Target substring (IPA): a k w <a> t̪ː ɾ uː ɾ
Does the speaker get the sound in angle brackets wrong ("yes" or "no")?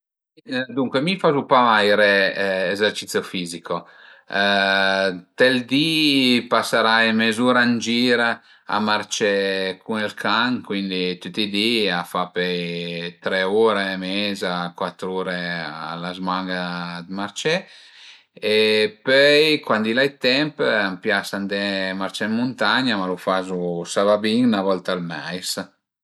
no